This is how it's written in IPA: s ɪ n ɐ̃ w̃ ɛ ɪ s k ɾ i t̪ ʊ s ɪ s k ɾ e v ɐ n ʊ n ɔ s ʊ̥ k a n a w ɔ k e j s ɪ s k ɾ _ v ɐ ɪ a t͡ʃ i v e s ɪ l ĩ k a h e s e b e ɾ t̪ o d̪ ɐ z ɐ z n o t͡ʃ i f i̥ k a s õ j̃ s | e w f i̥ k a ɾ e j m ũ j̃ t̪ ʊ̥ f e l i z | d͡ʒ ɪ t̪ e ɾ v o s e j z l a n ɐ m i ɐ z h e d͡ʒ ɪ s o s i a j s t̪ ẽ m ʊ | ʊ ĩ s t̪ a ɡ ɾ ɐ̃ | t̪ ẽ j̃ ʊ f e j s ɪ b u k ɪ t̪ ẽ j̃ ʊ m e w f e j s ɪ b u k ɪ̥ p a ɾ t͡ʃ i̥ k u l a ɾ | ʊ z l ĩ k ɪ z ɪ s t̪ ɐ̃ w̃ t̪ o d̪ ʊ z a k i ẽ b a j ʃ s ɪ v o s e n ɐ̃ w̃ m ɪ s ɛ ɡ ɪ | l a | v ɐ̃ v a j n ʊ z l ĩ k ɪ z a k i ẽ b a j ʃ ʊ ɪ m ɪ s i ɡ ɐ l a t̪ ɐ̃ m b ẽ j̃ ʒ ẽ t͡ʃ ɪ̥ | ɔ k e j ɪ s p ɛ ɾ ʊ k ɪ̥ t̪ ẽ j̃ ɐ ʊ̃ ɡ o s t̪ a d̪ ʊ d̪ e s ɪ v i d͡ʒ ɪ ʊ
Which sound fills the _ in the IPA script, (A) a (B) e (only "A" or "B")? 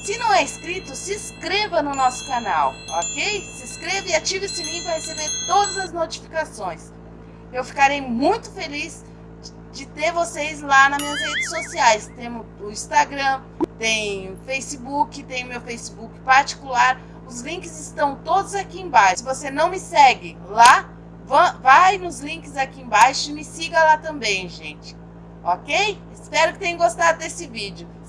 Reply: B